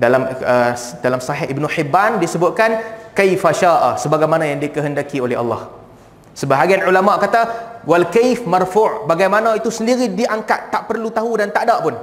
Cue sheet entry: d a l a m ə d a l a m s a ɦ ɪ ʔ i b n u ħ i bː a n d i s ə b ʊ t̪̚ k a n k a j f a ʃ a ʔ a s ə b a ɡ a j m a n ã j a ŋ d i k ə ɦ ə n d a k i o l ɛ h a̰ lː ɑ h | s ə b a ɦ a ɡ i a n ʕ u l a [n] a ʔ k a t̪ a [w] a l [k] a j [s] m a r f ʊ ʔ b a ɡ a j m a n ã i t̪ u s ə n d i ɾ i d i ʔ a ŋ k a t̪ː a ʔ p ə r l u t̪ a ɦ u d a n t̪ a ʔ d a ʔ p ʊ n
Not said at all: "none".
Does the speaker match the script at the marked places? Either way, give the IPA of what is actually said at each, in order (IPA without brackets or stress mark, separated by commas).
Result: m, w, k, f